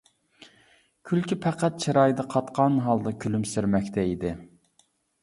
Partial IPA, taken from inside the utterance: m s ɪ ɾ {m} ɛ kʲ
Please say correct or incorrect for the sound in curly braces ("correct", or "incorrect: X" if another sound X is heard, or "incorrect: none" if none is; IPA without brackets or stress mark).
correct